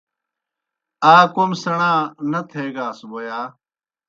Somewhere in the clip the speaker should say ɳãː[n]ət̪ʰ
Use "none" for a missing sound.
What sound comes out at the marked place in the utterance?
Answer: n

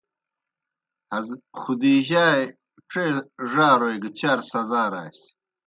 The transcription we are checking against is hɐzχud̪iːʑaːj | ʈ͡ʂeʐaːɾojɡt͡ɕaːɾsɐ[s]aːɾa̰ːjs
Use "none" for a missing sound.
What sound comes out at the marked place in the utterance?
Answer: z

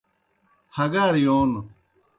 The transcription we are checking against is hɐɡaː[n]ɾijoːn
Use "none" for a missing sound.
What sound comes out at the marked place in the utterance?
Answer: none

